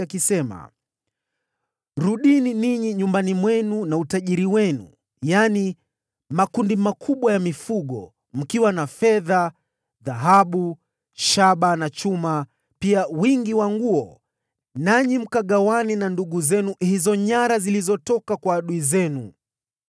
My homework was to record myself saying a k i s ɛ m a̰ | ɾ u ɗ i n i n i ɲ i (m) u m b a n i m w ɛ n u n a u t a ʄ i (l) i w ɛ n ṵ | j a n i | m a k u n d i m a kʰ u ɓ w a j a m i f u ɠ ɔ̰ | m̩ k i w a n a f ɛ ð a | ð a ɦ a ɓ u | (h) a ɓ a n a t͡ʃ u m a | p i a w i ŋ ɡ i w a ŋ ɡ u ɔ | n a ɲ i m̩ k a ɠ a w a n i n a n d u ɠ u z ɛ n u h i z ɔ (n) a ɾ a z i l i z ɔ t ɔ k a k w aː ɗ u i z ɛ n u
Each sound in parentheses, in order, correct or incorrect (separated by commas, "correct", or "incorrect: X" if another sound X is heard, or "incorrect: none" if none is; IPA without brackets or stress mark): incorrect: ɲ, incorrect: ɾ, incorrect: ʃ, incorrect: ɲ